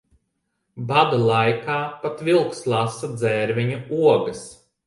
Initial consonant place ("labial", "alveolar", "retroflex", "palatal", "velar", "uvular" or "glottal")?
labial